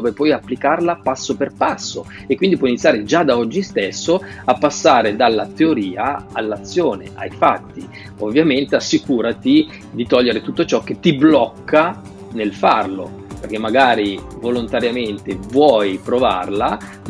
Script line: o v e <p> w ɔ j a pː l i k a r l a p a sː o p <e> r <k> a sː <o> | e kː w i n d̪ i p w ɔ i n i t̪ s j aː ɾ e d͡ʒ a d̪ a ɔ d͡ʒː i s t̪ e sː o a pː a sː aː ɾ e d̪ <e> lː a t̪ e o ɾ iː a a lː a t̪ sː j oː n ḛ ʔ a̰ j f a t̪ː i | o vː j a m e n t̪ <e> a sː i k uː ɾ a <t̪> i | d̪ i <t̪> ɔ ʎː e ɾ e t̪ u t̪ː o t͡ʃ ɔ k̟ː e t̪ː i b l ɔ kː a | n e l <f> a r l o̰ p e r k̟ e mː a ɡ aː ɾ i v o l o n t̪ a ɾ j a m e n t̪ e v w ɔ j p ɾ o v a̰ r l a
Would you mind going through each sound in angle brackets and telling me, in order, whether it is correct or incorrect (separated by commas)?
correct, correct, incorrect, correct, incorrect, correct, correct, correct, correct